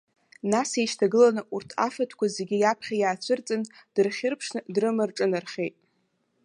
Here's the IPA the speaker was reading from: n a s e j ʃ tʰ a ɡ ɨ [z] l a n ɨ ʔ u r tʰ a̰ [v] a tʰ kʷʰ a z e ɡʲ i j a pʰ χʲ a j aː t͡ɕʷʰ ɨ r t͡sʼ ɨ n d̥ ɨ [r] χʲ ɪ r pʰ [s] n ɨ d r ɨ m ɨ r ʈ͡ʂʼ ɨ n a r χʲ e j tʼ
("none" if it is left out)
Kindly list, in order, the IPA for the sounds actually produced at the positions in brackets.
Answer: none, f, r, ʂ

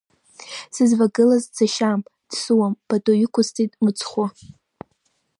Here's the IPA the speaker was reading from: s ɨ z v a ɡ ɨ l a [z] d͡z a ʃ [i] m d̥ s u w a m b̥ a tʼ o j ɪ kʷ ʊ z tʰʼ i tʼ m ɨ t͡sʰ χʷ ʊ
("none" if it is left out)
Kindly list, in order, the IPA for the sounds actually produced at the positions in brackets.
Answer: z, a

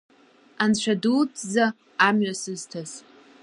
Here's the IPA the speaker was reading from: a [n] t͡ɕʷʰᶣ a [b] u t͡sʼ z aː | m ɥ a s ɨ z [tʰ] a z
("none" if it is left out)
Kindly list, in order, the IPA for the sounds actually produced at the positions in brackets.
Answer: n, d, tʰ

